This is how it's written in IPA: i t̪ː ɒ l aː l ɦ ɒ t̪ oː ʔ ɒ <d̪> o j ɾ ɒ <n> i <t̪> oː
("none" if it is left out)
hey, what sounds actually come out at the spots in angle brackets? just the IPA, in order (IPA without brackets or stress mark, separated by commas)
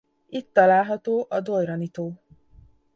d̪, n, t̪